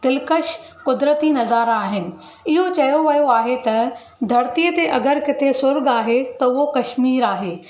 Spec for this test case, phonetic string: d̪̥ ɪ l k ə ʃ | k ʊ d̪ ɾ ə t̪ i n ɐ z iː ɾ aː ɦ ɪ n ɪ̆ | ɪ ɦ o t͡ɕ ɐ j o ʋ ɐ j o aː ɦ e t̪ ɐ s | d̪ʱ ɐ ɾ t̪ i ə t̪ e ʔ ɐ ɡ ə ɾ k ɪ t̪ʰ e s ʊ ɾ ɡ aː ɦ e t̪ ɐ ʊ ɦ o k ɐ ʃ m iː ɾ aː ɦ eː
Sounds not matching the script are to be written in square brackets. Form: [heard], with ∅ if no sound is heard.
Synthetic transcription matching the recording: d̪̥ ɪ l k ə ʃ | k ʊ d̪ ɾ ə t̪ i n ɐ z [aː] ɾ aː ɦ ɪ n ɪ̆ | ɪ ɦ o t͡ɕ ɐ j o ʋ ɐ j o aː ɦ e t̪ ɐ [∅] | d̪ʱ ɐ ɾ t̪ i ə t̪ e ʔ ɐ ɡ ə ɾ k ɪ t̪ʰ e s ʊ ɾ ɡ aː ɦ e t̪ ɐ ʊ ɦ o k ɐ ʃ m iː ɾ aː ɦ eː